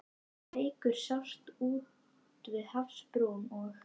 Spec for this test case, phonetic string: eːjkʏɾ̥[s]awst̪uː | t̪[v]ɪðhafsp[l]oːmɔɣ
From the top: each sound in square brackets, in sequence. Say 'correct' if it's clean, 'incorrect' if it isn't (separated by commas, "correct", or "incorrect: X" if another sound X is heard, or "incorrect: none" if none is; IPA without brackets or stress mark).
correct, correct, incorrect: ɾ